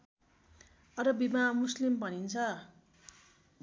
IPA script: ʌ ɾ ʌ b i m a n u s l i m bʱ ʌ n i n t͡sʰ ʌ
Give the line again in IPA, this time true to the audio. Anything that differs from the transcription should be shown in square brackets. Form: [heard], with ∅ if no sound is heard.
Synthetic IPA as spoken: ʌ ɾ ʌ b i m a [m] u s l i m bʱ ʌ n i n t͡sʰ ʌ